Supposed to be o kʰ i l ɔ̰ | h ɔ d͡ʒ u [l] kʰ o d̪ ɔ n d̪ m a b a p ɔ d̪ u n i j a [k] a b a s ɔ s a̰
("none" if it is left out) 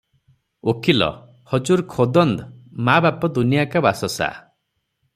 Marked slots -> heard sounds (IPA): ɾ, k

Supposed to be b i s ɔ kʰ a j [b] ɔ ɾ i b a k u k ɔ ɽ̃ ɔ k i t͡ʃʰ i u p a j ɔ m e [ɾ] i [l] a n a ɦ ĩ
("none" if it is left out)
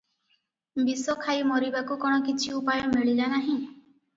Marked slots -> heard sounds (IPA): m, ɭ, l

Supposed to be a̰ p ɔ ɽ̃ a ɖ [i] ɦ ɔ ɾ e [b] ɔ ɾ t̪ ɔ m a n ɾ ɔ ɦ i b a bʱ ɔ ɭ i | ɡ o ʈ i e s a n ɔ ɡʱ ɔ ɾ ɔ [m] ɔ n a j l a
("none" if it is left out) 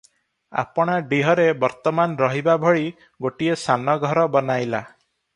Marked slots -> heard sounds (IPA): i, b, b

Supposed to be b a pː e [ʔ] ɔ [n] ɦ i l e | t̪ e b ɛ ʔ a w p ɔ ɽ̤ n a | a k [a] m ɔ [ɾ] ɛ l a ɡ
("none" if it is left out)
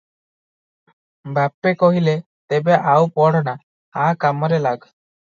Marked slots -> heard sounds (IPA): k, none, a, ɾ

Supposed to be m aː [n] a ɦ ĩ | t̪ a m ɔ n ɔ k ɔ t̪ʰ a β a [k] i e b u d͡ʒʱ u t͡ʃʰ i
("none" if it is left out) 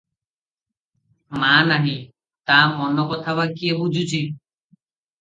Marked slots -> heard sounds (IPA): n, k

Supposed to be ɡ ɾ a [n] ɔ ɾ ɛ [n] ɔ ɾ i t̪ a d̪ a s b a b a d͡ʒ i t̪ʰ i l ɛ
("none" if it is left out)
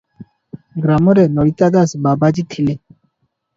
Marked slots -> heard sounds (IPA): m, n

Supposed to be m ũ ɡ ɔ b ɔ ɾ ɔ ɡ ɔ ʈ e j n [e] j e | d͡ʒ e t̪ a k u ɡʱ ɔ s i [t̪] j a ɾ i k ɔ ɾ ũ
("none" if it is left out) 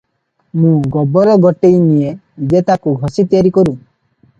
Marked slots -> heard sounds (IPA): i, t̪

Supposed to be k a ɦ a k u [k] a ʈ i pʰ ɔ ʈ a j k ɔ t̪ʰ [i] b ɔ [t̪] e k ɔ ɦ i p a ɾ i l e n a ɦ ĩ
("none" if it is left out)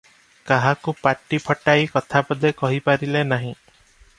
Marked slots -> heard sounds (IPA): p, a, d̪

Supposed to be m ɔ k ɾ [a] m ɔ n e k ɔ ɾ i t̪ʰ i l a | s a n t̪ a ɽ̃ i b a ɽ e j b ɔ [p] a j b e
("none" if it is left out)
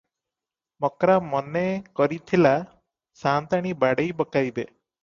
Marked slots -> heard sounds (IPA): a, k

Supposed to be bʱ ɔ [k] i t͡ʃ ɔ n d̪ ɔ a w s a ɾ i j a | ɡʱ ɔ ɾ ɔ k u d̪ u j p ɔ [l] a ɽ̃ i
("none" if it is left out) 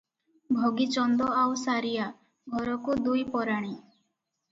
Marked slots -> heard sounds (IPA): ɡ, ɾ

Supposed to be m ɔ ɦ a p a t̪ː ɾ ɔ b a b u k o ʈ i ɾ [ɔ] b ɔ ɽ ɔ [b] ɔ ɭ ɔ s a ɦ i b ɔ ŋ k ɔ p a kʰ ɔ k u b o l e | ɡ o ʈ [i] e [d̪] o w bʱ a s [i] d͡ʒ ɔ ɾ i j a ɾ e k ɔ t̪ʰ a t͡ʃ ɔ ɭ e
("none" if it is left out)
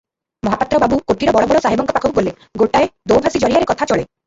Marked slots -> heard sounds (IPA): ɔ, b, a, d̪, i

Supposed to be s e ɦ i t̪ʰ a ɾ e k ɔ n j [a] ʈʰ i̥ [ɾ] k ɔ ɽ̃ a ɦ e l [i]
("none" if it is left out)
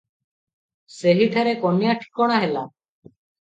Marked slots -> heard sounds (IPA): a, none, a

